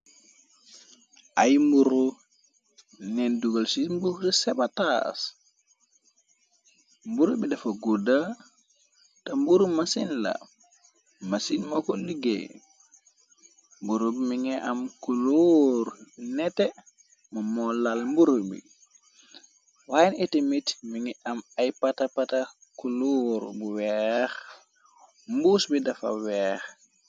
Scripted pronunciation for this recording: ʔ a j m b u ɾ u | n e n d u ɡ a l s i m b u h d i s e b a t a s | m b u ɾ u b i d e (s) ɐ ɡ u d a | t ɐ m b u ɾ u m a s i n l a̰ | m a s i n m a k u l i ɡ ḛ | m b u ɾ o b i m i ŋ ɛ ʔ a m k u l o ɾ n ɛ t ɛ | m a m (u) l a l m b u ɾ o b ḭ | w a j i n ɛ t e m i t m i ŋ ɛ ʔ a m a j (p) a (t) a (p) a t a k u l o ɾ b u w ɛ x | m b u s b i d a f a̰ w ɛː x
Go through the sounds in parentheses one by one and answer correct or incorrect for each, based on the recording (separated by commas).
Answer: incorrect, incorrect, correct, correct, correct